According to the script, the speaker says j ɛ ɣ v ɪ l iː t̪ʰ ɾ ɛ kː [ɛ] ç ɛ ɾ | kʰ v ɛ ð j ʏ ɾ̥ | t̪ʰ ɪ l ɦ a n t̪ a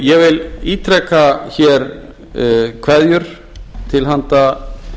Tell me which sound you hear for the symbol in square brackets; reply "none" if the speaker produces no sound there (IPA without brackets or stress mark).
a